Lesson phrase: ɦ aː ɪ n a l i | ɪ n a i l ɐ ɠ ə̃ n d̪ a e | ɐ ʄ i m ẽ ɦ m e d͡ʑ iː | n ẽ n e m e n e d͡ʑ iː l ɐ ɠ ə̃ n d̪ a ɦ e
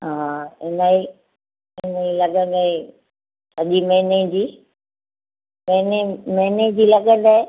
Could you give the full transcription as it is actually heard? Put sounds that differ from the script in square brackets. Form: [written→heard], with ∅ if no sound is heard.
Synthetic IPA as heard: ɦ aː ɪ n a [l→∅] i | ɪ n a i l ɐ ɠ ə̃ n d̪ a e | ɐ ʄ i m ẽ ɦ [m→n] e d͡ʑ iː | [n→m] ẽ n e m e n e d͡ʑ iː l ɐ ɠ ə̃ n d̪ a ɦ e